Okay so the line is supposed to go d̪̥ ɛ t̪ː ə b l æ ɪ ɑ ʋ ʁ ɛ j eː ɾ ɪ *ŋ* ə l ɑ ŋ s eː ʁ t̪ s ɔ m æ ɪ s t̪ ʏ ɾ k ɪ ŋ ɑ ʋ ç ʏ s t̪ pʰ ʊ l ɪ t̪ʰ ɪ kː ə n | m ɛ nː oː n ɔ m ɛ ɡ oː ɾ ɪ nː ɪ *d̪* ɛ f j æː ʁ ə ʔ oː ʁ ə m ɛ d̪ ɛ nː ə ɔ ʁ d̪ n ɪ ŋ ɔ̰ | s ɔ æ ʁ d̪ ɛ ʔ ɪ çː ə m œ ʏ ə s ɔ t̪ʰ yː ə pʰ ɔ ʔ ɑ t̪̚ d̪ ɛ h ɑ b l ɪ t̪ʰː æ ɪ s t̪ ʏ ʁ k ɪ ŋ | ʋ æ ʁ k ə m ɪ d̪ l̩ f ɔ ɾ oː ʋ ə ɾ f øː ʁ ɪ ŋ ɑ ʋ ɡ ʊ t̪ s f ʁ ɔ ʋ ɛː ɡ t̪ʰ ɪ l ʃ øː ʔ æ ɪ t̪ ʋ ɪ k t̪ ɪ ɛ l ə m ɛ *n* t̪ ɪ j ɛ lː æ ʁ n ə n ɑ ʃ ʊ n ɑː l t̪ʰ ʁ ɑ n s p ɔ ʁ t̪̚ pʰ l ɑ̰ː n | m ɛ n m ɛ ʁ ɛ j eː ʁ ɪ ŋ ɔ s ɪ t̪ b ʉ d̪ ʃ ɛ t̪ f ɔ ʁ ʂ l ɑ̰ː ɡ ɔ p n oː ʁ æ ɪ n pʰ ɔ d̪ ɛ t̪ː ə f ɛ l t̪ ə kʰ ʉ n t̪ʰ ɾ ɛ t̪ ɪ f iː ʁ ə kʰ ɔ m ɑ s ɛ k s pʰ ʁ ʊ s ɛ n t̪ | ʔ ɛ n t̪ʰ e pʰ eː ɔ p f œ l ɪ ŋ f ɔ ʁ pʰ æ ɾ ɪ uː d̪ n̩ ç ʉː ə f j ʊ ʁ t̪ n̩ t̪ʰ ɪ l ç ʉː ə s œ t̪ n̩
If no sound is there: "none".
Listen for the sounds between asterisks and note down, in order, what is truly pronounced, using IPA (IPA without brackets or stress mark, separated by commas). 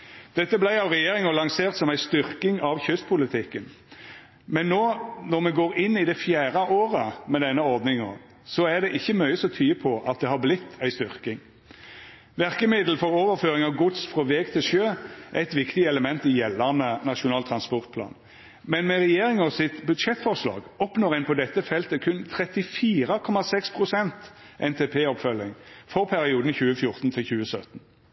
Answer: ŋ, d̪, n